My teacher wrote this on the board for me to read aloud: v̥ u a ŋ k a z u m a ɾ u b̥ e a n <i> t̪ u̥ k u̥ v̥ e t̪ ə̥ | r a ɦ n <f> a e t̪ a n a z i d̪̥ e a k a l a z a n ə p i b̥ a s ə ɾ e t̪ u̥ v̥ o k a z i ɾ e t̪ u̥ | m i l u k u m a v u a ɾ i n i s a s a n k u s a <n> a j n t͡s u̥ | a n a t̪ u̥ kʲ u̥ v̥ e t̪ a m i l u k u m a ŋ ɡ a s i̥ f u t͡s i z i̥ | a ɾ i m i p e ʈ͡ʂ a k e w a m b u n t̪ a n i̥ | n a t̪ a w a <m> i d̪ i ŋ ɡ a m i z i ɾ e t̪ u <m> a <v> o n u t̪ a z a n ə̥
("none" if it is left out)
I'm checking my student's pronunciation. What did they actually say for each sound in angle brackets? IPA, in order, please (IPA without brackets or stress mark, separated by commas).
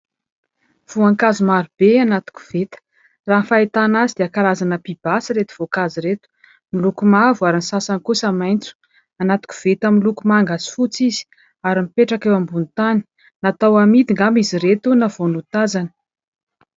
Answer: a, f, m, m, n, v